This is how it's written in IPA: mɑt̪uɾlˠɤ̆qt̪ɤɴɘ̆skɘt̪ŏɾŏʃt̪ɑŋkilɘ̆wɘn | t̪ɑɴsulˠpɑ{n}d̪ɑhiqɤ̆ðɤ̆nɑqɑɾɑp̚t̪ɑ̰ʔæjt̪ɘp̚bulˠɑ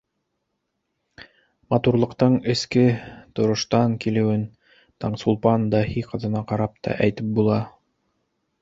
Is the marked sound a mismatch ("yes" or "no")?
no